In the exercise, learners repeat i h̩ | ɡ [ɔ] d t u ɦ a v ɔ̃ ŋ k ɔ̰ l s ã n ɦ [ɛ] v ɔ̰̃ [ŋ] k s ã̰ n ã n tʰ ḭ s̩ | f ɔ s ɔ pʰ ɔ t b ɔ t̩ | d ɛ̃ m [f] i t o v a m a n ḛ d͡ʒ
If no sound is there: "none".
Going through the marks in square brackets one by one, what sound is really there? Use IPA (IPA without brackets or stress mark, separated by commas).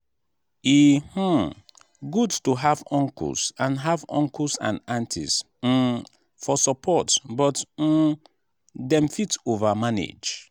u, a, ŋ, f